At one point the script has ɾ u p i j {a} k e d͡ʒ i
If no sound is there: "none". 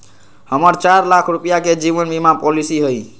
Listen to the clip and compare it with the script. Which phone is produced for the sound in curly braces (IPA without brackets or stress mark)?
a